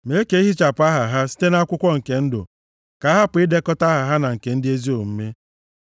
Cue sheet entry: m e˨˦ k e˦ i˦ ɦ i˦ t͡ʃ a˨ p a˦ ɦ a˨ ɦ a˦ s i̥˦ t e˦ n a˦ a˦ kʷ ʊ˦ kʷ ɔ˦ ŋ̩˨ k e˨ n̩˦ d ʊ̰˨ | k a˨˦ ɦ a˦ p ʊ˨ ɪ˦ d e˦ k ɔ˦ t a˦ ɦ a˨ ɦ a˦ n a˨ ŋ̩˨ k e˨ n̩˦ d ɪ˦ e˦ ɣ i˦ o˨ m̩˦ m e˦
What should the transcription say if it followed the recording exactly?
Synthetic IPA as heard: m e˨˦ k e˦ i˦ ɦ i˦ t͡ʃ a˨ p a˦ ɦ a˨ ɦ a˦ s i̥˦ t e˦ n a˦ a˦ kʷ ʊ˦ kʷ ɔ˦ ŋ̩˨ k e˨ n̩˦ d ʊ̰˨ | k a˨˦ ɦ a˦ p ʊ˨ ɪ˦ d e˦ k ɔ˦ t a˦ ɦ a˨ ɦ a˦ n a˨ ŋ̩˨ k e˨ n̩˦ d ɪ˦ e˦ z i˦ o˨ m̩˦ m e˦